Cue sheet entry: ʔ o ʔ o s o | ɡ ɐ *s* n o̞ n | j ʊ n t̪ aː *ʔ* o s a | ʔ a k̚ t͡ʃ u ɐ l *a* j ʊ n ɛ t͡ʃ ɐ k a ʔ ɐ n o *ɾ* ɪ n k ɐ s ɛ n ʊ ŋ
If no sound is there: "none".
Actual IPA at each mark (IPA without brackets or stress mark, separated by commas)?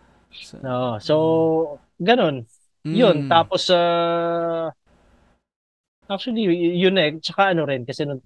none, p, i, ɾ